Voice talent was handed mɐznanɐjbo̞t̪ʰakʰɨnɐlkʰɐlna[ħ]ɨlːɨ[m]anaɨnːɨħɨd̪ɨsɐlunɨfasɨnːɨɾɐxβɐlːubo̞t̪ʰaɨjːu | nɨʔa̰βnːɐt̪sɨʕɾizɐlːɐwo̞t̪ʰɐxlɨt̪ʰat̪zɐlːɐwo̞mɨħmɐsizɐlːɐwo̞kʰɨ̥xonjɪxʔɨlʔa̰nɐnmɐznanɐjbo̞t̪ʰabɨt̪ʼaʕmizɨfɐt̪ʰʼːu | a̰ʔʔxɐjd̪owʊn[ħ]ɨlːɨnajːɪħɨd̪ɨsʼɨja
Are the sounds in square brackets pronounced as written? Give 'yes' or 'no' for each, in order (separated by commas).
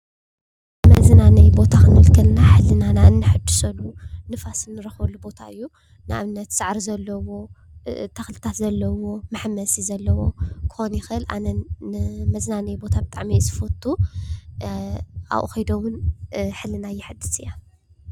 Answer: yes, no, yes